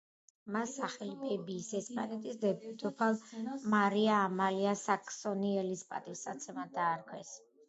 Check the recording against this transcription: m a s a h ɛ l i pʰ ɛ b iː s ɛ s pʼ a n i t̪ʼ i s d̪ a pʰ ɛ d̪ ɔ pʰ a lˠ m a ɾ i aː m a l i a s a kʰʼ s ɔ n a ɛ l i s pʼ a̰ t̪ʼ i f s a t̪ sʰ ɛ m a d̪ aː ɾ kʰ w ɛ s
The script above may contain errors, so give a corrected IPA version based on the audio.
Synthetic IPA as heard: m a s a χ ɛ l i pʰ ɛ b iː s ɛ s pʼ a n ɛ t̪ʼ i s d̪ ɛ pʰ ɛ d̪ ɔ pʰ a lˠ m a ɾ i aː m a l i a s a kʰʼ s ɔ n i ɛ l i s pʼ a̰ t̪ʼ i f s a t̪ sʰ ɛ m a d̪ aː ɾ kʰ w ɛ s